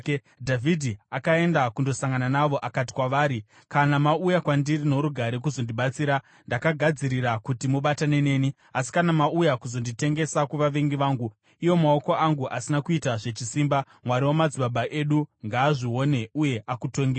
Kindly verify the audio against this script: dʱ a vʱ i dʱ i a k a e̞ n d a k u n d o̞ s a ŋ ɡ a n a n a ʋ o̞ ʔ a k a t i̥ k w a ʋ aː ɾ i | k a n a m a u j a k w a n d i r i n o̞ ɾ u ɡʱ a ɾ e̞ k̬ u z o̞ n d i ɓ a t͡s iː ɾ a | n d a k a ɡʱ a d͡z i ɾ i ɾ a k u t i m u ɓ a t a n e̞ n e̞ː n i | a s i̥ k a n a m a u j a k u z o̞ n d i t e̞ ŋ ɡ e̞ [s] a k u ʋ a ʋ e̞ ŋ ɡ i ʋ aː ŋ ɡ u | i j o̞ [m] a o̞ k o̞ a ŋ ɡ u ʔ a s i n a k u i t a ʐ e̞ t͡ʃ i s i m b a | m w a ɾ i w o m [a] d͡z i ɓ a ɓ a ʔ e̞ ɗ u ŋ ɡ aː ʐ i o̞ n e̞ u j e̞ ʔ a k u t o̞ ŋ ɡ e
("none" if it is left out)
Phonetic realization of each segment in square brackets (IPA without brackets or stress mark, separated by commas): s, m, a